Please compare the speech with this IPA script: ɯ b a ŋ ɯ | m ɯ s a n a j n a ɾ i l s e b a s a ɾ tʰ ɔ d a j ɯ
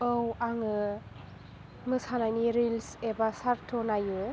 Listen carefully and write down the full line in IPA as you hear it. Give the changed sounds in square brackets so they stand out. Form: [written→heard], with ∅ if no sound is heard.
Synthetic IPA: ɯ [b→w] a ŋ ɯ | m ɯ s a n a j n [a→i] ɾ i l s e b a s a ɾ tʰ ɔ [d→n] a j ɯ